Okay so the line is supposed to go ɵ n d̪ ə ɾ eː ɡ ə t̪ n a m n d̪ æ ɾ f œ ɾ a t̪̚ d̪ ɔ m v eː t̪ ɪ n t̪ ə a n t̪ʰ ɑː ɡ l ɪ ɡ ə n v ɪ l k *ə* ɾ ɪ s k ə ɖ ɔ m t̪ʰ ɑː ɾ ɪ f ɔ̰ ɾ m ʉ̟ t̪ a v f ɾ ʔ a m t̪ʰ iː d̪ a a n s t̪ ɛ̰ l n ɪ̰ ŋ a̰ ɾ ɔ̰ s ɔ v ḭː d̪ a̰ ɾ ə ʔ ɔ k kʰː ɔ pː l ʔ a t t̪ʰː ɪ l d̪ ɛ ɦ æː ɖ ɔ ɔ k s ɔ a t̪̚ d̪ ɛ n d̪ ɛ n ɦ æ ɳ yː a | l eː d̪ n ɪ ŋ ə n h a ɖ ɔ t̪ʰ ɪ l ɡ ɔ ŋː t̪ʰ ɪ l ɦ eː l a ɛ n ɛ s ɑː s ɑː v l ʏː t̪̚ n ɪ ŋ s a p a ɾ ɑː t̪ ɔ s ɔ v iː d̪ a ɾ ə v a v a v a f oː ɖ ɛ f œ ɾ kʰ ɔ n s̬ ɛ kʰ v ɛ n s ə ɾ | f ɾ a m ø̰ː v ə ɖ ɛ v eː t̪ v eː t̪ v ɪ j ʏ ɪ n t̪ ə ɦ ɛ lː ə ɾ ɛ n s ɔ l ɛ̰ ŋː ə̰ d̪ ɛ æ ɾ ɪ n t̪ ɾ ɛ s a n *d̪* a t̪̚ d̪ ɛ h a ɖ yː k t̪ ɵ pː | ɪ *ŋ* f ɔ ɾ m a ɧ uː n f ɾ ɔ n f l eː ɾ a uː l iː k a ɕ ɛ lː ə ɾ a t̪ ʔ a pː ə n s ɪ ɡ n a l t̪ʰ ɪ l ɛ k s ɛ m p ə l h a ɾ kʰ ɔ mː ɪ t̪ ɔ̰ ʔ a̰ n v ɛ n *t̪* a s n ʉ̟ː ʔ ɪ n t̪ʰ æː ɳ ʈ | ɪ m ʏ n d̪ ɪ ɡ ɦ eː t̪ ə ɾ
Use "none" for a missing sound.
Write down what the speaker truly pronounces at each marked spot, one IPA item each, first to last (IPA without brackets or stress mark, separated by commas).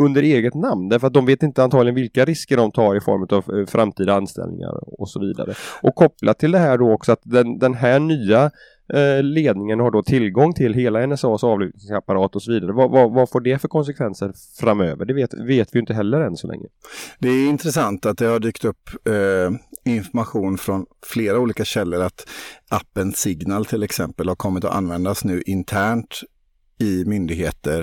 a, t̪, n, d̪